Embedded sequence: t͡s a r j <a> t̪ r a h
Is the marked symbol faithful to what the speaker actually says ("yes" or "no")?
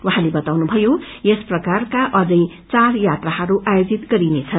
yes